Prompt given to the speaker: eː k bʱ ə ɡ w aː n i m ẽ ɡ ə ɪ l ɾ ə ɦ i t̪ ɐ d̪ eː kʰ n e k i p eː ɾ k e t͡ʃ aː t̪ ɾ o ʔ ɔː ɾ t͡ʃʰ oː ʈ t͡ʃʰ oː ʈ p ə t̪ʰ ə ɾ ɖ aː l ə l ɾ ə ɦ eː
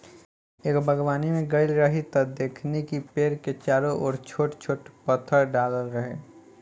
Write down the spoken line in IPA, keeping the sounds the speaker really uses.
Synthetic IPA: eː k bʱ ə ɡ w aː n i m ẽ ɡ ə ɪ l ɾ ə ɦ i t̪ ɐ d̪ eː kʰ n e k i p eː ɾ k e t͡ʃ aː ɾ o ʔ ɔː ɾ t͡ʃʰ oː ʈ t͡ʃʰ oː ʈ p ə t̪ʰ ə ɾ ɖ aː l ə l ɾ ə ɦ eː